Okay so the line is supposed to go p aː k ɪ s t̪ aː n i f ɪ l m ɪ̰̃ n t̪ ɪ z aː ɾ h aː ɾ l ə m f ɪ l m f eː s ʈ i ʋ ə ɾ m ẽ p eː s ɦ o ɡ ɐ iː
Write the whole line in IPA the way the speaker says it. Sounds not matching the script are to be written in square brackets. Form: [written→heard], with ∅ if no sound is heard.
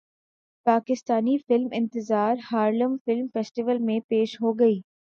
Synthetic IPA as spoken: p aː k ɪ s t̪ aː n i f ɪ l m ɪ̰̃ n t̪ ɪ z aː ɾ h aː ɾ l ə m f ɪ l m f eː s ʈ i ʋ ə [ɾ→l] m ẽ p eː [s→ʃ] ɦ o ɡ ɐ iː